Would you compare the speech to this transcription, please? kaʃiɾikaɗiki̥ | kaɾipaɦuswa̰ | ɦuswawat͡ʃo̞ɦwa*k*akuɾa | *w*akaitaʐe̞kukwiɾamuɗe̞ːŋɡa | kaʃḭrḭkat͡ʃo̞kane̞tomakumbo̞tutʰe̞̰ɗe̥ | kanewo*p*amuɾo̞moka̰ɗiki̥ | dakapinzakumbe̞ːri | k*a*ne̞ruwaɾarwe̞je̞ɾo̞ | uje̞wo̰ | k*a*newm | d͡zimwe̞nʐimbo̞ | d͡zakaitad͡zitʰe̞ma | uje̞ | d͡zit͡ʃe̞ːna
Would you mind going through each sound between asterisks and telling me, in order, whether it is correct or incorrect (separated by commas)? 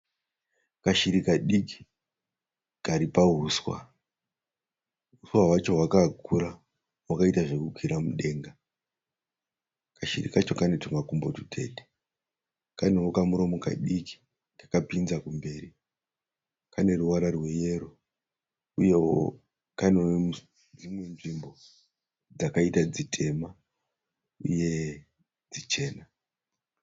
correct, correct, incorrect, correct, correct